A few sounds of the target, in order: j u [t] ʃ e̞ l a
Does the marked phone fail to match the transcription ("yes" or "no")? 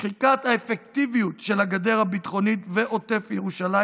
no